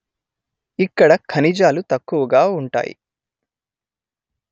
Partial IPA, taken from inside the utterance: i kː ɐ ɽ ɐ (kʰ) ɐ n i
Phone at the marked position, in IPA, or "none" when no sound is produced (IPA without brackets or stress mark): kʰ